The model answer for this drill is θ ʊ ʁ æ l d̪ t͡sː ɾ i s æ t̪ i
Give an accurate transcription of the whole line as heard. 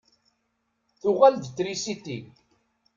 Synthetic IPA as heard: θ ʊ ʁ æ l d̪ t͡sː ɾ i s i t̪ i